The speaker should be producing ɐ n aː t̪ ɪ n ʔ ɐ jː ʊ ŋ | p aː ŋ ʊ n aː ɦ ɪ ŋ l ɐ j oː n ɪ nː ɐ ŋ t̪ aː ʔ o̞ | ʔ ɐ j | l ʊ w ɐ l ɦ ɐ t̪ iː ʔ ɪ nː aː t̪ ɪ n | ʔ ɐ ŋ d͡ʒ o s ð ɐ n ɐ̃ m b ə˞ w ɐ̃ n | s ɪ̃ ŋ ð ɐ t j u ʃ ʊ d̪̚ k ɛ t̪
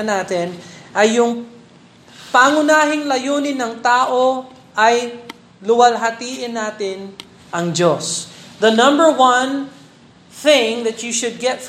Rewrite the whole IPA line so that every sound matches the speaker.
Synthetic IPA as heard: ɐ n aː t̪ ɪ n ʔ ɐ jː ʊ ŋ | p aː ŋ ʊ n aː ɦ ɪ ŋ l ɐ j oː n ɪ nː ɐ ŋ t̪ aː ʔ o̞ | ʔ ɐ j | l ʊ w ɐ l ɦ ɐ t̪ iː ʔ ɪ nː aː t̪ ɪ n | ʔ ɐ ŋ d͡ʒ o s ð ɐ n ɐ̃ m b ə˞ w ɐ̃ n | θ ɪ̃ ŋ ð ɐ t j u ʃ ʊ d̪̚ ɡ ɛ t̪